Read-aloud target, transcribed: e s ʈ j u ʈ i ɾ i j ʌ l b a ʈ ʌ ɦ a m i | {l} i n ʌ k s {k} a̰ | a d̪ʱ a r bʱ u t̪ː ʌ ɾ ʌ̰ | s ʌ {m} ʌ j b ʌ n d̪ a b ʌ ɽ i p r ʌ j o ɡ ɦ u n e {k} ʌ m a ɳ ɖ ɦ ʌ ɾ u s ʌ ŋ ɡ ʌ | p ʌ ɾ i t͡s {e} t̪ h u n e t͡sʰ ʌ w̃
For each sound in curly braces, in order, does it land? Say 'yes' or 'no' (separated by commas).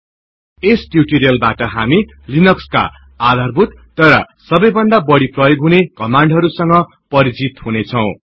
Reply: yes, yes, no, yes, no